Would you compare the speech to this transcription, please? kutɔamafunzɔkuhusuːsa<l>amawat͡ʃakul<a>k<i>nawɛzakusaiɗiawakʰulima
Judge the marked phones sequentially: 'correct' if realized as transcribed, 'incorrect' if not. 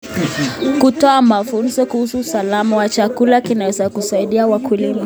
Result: correct, correct, correct

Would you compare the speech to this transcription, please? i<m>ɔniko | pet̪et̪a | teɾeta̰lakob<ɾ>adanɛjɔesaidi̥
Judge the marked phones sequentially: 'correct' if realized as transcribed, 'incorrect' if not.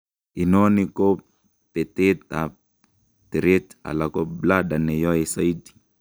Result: incorrect, incorrect

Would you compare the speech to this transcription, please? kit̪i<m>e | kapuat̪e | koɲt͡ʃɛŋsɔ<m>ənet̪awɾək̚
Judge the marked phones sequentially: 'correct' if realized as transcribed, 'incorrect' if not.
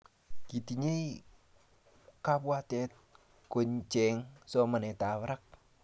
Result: incorrect, correct

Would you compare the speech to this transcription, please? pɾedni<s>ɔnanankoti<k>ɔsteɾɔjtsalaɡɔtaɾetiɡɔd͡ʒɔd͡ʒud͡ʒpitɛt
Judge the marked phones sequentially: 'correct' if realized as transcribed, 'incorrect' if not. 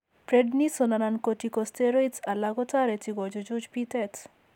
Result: correct, correct

